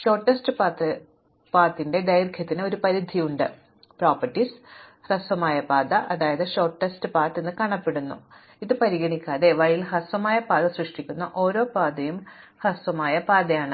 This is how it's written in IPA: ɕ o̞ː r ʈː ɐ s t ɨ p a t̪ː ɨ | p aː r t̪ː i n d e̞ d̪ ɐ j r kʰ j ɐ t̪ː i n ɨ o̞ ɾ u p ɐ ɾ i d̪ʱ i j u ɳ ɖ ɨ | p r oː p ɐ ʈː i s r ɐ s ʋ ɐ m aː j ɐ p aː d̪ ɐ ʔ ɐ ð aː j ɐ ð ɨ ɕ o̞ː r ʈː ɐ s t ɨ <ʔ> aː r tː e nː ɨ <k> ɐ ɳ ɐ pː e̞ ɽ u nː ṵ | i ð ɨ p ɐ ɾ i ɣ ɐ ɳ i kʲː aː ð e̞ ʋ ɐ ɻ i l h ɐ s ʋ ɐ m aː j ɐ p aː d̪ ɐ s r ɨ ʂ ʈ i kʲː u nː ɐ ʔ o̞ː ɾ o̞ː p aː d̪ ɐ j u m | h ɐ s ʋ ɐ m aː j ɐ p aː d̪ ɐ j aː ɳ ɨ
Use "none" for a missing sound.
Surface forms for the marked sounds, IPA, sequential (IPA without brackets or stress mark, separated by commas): p, k